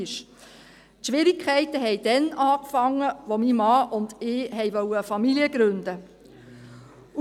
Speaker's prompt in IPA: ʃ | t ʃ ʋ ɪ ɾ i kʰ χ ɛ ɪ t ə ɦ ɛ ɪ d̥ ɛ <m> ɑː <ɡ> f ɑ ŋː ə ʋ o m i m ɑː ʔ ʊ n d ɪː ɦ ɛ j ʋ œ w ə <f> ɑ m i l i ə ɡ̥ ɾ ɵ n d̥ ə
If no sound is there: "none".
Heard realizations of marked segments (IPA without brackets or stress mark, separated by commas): n, k, f